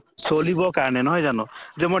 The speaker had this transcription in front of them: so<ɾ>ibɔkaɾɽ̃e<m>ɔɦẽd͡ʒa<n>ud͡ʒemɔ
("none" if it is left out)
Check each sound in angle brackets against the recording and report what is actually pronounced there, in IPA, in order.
l, n, n

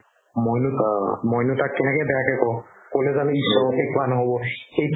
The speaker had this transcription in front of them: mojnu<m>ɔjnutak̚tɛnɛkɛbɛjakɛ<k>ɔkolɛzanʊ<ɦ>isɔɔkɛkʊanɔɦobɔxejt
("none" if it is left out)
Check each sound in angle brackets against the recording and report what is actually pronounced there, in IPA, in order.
m, k, none

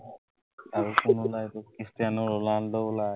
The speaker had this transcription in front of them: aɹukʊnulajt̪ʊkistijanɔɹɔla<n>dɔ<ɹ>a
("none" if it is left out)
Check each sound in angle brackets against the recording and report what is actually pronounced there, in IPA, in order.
n, l

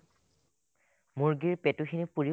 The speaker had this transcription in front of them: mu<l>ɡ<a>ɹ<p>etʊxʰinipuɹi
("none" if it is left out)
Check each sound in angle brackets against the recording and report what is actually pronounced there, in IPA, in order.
ɹ, i, p

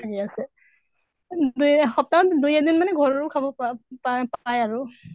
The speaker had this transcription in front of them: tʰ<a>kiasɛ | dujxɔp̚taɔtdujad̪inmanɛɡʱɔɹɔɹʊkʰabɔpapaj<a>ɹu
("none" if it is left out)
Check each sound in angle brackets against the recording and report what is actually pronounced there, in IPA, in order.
a, a

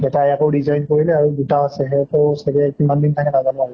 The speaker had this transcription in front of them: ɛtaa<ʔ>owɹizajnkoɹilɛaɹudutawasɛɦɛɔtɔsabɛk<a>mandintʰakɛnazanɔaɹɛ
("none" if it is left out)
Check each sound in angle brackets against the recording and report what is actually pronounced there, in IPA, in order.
k, i

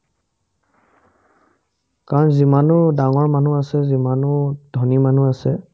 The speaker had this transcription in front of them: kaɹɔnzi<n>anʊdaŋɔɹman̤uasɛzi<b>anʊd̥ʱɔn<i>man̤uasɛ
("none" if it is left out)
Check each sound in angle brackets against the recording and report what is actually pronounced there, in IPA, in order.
m, m, i

